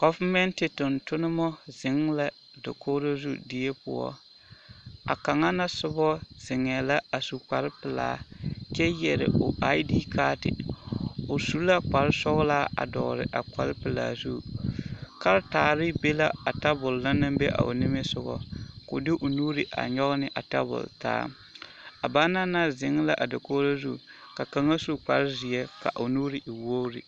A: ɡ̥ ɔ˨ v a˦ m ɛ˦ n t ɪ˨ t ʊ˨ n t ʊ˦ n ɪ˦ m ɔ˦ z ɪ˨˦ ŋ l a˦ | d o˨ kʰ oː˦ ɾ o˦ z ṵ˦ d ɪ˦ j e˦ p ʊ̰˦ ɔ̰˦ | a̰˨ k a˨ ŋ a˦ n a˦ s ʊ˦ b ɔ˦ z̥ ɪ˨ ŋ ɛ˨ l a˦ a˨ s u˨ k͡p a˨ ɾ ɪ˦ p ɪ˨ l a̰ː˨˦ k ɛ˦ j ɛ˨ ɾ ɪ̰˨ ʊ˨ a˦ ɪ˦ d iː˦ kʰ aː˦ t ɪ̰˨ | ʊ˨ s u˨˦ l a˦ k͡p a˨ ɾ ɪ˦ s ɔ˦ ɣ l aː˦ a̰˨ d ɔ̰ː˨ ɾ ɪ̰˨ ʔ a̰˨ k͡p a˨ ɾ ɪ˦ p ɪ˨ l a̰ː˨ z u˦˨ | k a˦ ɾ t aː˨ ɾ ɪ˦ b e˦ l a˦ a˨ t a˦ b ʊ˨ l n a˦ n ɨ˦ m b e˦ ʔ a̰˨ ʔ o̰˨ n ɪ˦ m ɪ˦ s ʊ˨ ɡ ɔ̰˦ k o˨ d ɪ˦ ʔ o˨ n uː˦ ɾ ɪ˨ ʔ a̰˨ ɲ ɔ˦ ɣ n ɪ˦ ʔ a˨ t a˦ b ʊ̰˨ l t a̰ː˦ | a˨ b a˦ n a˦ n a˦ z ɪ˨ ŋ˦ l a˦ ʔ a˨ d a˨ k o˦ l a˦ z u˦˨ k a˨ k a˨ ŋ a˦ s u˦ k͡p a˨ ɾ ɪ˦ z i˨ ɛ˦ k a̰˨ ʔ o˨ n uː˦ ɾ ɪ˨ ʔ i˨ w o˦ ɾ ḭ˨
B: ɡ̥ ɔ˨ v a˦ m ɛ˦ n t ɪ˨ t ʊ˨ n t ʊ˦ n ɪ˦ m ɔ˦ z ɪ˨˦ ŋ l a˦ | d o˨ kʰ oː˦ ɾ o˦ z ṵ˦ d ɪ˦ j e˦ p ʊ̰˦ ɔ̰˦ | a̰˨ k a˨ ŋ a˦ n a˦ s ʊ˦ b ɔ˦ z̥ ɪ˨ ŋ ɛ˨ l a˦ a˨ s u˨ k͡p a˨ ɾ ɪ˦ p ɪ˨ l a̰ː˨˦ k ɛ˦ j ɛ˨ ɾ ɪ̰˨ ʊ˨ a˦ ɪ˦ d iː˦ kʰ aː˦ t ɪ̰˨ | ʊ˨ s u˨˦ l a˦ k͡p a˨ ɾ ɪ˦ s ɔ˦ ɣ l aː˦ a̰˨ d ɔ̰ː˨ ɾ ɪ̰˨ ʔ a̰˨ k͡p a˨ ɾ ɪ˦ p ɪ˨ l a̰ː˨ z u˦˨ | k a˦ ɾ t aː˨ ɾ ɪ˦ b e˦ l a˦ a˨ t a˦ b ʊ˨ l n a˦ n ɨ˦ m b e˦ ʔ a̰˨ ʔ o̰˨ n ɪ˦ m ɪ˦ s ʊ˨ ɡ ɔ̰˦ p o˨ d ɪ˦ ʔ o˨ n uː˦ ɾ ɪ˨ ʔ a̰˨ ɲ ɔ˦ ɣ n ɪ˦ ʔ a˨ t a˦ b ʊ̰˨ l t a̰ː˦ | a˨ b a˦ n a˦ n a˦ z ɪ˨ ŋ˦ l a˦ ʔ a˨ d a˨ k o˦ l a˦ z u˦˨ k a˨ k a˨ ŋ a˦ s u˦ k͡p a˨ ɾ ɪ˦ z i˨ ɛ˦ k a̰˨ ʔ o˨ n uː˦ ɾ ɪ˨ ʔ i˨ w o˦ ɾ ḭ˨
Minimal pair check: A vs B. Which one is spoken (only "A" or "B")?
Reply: A